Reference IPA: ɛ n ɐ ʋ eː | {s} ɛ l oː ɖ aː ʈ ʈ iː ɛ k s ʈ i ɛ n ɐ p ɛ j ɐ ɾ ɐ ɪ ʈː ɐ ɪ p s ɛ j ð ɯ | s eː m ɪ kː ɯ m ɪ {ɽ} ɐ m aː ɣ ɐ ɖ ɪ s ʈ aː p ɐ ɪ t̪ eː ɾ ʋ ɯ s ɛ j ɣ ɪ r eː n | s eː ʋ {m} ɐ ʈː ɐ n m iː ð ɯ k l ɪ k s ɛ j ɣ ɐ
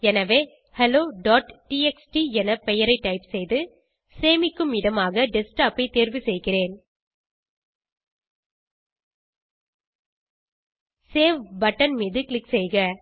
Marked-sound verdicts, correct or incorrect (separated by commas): incorrect, correct, incorrect